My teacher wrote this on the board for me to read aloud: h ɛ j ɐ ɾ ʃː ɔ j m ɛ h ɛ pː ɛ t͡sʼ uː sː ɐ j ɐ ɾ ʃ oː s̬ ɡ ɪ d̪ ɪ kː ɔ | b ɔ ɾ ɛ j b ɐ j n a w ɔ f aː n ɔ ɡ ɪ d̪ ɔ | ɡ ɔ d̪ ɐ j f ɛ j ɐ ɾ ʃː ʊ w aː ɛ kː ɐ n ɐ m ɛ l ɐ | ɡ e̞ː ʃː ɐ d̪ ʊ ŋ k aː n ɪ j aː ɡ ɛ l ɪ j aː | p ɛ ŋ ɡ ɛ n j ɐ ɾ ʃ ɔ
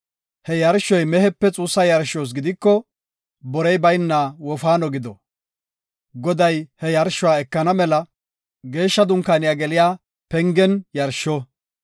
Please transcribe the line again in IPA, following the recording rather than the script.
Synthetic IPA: h ɛ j ɐ ɾ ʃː ɔ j m ɛ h ɛ pː ɛ t͡sʼ uː sː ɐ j ɐ ɾ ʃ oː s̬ ɡ ɪ d̪ ɪ kː ɔ | b ɔ ɾ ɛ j b ɐ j nː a w ɔ f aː n ɔ ɡ ɪ d̪ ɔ | ɡ ɔ d̪ ɐ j h ɛ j ɐ ɾ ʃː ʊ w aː ɛ kː ɐ n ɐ m ɛ l ɐ | ɡ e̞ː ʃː ɐ d̪ ʊ ŋ k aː n ɪ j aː ɡ ɛ l ɪ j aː | p ɛ ŋ ɡ ɛ n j ɐ ɾ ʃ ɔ